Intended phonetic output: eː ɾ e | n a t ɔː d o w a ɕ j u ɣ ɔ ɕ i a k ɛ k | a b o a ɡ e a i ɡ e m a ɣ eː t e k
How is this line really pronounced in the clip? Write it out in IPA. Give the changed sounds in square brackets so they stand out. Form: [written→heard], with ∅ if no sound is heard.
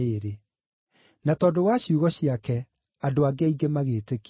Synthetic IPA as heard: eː ɾ e | n a t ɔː d o w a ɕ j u ɣ ɔ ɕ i a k ɛ [k→∅] | a [b→d] o a ɡ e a i ɡ e m a ɣ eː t e k